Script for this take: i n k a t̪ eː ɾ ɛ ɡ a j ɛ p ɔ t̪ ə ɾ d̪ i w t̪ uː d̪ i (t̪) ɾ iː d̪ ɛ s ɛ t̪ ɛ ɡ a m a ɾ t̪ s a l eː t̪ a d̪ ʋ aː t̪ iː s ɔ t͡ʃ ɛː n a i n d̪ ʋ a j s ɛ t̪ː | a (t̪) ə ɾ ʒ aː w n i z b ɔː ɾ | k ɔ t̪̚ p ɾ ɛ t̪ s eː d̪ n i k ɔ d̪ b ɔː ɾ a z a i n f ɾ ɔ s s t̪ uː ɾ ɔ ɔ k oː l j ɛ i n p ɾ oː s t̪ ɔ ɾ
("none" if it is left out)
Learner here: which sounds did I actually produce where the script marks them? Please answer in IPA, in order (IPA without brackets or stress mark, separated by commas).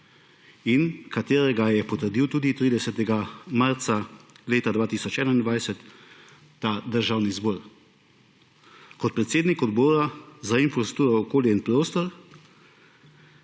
t̪, d̪